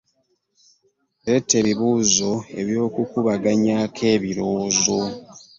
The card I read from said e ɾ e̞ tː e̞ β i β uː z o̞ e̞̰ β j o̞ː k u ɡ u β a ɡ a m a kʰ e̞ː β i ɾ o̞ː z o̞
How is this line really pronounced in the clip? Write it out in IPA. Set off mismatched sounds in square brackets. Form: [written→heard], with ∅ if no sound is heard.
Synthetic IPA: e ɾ e̞ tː e̞ β i β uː z o̞ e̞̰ β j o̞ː k u [ɡ→k] u β a ɡ a [m→ɲ] a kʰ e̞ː β i ɾ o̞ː z o̞